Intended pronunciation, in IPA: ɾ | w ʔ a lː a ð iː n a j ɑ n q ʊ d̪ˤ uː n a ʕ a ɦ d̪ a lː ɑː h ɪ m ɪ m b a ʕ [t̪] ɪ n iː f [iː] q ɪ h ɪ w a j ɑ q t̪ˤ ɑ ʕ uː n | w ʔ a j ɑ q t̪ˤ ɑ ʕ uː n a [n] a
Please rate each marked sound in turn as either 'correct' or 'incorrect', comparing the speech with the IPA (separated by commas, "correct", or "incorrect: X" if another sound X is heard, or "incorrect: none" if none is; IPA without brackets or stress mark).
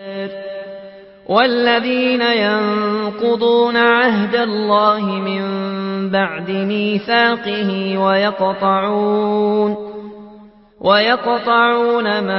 incorrect: d̪, incorrect: aː, incorrect: m